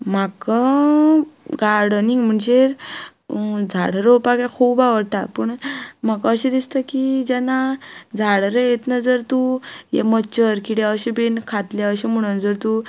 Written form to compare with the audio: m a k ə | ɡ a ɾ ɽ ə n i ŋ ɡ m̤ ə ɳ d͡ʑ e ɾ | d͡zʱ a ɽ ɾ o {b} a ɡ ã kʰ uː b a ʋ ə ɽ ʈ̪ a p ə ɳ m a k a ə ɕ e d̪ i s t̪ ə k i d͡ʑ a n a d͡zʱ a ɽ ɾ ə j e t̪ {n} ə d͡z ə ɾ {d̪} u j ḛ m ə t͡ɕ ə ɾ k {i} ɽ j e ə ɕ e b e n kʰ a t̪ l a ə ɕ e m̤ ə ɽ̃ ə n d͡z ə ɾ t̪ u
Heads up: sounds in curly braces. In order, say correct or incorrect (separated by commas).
incorrect, correct, incorrect, correct